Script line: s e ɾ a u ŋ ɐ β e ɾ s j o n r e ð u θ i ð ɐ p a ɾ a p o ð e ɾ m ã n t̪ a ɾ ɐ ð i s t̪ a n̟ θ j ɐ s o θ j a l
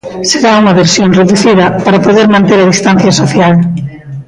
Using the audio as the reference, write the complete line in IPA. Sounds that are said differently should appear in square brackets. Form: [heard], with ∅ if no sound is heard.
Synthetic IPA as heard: s e ɾ a u ŋ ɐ β e ɾ s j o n r e ð u θ i ð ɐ p a ɾ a p o ð e ɾ m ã n t̪ [e] ɾ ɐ ð i s t̪ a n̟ θ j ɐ s o θ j a l

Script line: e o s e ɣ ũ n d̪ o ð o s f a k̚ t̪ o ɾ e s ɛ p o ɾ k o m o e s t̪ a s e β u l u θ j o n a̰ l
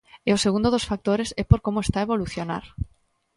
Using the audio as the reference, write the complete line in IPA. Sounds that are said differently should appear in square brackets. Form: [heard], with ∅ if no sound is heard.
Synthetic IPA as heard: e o s e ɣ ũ n d̪ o ð o s f a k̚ t̪ o ɾ e s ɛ p o ɾ k o m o e s t̪ a [∅] e β [o] l u θ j o n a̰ [ɾ]

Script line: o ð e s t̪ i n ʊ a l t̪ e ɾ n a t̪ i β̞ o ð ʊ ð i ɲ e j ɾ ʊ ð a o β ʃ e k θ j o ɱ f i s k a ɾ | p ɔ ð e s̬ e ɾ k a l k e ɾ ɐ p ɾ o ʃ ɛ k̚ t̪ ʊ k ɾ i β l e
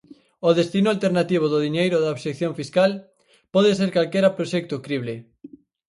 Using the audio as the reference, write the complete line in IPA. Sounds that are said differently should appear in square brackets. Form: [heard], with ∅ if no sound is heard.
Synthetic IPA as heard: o ð e s t̪ i n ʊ a l t̪ e ɾ n a t̪ i β̞ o ð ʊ ð i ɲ e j ɾ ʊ ð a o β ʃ e k θ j o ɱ f i s k a [l] | p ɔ ð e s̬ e ɾ k a l k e ɾ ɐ p ɾ o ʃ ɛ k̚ t̪ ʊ k ɾ i β l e

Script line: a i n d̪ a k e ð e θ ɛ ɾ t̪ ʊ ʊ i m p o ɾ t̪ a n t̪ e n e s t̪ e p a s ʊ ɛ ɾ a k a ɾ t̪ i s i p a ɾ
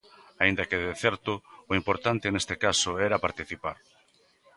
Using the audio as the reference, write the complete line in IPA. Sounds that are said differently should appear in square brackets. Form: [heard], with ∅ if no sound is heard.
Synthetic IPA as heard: a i n d̪ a k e ð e θ ɛ ɾ t̪ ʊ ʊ i m p o ɾ t̪ a n t̪ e n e s t̪ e [k] a s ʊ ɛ ɾ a [p] a ɾ t̪ i [θ] i p a ɾ

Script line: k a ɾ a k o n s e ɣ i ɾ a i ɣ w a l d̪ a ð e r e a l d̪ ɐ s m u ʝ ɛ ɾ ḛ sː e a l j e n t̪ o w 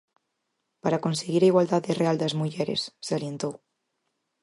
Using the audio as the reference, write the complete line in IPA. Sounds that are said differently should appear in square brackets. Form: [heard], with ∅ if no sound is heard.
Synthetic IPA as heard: [p] a ɾ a k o n s e ɣ i ɾ a i ɣ w a l d̪ a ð e r e a l d̪ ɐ [z] m u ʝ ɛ ɾ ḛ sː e a l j e n t̪ o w

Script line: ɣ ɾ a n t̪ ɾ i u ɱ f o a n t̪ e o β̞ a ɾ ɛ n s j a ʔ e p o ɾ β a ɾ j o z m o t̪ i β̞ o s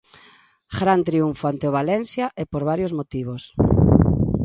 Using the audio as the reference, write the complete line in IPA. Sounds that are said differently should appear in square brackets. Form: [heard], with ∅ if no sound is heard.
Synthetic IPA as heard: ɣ ɾ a n t̪ ɾ i u ɱ f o a n t̪ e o β̞ a [l] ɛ n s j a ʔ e p o ɾ β a ɾ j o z m o t̪ i β̞ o s

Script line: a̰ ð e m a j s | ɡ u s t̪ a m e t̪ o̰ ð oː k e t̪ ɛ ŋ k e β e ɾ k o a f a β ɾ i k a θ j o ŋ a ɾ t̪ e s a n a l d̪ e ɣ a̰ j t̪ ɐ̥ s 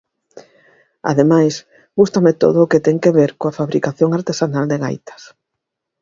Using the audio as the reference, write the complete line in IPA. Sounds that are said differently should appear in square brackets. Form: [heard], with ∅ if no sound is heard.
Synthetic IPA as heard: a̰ ð e m a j s | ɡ u s t̪ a m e t̪ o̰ ð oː k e t̪ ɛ ŋ k e β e ɾ k o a f a β ɾ i k a θ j o ŋ a ɾ t̪ e s a n a l d̪ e ɣ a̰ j t̪ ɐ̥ s

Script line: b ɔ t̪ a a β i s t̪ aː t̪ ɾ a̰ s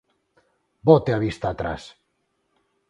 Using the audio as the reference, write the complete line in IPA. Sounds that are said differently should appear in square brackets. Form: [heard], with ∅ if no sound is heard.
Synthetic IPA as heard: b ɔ t̪ [e] a β i s t̪ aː t̪ ɾ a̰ s

